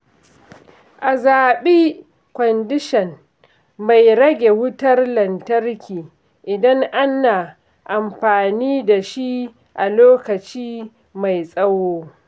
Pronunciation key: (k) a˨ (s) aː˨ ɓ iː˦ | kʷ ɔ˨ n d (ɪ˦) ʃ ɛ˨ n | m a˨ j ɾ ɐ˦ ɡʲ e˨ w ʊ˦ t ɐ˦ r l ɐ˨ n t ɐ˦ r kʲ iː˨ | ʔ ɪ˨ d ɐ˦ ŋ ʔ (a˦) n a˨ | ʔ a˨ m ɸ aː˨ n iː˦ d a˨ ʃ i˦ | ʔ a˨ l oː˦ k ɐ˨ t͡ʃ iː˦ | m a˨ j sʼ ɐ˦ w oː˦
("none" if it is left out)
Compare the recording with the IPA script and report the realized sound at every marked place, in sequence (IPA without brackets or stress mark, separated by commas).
ʔ, z, ɪ˦, a˦